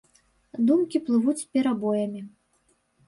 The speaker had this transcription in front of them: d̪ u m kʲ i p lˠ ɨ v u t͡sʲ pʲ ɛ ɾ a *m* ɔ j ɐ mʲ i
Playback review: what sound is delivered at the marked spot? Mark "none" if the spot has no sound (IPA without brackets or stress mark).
b